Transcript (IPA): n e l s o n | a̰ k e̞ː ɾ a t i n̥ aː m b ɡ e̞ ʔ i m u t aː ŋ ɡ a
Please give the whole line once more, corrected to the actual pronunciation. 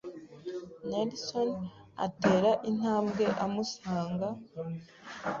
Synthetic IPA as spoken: n e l s o n | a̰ t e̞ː ɾ a ʔ i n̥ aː m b ɡ e̞ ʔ a m u s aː ŋ ɡ a